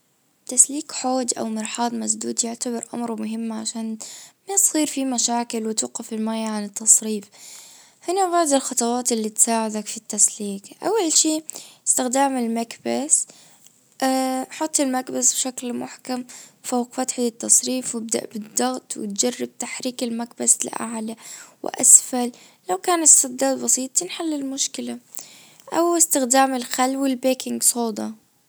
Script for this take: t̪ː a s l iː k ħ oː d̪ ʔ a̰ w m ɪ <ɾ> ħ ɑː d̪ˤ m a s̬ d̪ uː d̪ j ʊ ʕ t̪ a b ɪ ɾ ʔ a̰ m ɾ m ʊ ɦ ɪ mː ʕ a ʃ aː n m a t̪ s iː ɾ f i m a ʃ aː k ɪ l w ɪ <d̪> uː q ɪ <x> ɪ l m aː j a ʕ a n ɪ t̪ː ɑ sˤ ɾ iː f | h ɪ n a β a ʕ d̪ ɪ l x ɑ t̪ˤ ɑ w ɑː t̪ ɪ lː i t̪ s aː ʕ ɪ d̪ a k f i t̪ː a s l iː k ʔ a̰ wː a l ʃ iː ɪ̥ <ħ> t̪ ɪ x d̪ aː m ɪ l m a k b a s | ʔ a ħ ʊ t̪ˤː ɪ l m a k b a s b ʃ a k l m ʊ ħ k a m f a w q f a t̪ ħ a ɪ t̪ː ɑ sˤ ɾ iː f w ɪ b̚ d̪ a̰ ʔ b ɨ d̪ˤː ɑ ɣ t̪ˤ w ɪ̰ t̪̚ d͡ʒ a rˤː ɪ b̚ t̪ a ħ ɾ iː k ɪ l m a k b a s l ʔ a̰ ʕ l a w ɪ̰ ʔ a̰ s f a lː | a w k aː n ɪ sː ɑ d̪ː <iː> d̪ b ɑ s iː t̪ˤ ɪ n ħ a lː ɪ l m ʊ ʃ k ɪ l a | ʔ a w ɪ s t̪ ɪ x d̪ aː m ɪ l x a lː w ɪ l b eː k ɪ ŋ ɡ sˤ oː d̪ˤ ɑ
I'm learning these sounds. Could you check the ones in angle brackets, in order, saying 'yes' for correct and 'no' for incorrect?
yes, no, no, no, no

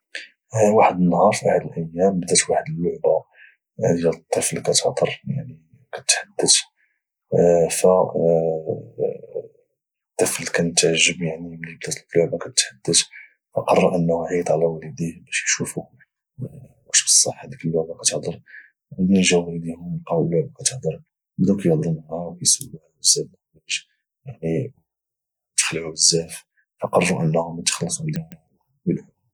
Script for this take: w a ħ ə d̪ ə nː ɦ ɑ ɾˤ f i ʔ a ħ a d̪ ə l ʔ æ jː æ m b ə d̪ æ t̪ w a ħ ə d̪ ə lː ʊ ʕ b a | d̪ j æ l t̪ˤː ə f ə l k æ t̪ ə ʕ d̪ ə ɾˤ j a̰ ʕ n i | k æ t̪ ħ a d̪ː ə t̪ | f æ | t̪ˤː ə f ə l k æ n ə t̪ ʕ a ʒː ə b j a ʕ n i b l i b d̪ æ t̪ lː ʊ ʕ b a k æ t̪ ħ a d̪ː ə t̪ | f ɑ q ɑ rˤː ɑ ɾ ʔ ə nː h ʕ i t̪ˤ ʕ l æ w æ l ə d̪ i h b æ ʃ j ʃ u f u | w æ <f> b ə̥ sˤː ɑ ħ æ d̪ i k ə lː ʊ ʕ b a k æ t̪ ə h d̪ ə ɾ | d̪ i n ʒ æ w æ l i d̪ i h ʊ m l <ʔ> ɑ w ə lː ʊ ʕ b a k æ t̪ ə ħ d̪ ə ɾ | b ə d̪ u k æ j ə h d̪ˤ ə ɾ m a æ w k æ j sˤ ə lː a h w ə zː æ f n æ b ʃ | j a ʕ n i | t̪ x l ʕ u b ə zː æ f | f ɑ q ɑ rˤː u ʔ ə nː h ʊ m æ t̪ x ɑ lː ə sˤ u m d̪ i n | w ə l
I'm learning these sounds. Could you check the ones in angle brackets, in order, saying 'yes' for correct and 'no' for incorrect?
no, no

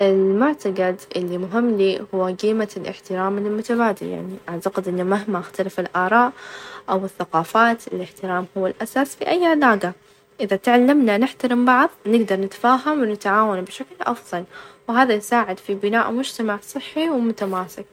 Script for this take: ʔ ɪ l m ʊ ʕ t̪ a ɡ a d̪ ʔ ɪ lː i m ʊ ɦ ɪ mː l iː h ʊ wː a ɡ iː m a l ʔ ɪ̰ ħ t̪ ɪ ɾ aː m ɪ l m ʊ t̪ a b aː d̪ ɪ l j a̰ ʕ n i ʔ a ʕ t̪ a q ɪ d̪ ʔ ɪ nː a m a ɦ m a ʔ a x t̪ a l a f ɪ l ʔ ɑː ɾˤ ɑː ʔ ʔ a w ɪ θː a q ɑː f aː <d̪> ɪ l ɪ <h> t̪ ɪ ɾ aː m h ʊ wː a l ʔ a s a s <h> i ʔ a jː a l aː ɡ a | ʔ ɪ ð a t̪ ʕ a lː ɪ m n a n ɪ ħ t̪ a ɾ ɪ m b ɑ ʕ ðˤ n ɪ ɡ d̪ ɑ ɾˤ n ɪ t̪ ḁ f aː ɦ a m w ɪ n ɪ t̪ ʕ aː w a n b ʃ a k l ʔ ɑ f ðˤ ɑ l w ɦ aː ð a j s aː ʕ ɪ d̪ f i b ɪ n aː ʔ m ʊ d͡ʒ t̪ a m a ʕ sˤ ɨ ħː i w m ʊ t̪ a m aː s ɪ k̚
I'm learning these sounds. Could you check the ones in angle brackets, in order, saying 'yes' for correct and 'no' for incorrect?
no, no, no

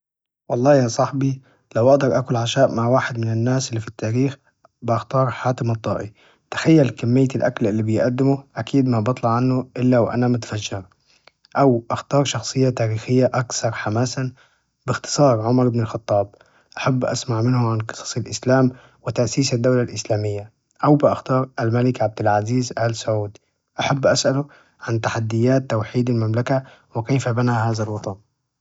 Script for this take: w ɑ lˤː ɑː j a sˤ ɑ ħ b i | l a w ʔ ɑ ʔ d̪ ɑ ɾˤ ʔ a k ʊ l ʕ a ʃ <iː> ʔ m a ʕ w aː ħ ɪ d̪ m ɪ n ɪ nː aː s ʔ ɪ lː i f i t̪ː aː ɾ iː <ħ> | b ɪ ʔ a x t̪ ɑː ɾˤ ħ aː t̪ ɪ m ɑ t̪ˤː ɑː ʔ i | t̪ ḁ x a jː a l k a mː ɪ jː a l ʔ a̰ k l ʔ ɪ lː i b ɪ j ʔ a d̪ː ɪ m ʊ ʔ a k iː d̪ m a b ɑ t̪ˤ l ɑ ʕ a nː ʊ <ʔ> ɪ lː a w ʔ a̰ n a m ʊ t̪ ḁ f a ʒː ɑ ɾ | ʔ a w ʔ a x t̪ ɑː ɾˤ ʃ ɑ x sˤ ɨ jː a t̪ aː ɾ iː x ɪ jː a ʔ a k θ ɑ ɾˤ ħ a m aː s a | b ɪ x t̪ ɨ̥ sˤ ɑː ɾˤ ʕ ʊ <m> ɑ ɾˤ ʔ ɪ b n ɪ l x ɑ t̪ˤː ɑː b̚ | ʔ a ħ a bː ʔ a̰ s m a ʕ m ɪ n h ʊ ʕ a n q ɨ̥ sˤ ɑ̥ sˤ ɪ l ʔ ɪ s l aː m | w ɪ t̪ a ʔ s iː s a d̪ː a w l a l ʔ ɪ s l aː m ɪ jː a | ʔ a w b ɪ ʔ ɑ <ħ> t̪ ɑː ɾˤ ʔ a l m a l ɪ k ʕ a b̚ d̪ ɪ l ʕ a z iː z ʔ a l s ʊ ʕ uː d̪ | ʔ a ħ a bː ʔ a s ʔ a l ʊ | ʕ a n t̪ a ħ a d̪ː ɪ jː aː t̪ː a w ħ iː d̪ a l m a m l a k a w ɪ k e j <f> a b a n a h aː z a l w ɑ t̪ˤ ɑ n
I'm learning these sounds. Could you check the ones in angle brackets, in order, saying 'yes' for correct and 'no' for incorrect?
no, no, yes, yes, no, yes

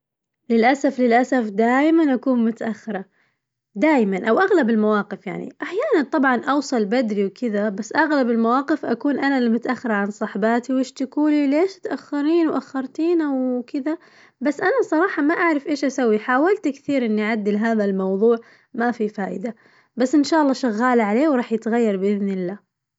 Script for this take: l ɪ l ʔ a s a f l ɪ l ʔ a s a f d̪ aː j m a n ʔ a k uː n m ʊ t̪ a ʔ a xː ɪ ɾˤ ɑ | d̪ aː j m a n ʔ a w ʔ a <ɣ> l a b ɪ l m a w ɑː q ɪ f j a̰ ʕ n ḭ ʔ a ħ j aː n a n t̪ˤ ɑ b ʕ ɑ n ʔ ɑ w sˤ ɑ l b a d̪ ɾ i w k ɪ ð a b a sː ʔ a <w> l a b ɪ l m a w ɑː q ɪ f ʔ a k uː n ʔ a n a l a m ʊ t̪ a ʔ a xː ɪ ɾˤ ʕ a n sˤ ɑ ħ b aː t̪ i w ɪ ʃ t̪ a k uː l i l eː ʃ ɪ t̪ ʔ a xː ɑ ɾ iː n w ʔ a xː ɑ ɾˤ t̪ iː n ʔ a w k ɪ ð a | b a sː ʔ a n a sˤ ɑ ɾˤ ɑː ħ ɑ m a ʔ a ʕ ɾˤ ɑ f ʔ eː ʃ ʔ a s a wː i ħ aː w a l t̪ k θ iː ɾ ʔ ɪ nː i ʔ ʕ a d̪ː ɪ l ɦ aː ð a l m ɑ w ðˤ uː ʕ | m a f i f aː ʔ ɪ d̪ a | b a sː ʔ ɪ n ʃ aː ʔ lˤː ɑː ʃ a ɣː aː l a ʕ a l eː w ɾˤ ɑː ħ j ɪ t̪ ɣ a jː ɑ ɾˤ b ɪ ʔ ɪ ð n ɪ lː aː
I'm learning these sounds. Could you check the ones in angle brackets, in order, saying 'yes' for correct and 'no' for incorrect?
yes, no

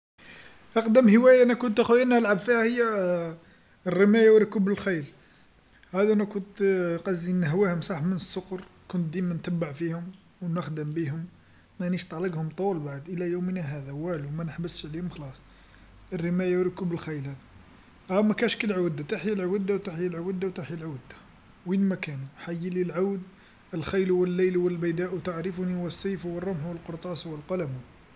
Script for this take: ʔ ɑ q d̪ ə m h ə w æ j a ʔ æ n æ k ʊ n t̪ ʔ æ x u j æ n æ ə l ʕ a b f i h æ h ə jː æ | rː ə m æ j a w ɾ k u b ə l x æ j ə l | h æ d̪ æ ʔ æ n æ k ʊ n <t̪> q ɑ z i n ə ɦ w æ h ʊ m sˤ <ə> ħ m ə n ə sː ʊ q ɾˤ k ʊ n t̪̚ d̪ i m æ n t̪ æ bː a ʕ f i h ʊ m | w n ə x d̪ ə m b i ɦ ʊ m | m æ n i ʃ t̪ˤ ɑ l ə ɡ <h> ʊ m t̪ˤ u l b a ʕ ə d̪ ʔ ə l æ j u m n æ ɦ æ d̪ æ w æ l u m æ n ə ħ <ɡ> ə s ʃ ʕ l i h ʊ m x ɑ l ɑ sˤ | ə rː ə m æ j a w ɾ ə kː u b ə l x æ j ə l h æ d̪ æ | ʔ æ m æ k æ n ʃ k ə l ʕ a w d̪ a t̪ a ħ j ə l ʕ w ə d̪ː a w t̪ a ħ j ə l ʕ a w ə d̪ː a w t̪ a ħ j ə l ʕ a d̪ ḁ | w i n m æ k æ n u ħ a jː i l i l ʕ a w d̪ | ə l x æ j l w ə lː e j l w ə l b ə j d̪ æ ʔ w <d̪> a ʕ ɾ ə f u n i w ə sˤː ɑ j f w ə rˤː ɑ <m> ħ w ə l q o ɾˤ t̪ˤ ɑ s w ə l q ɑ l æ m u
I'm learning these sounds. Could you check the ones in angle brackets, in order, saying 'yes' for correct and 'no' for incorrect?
yes, no, yes, no, no, yes

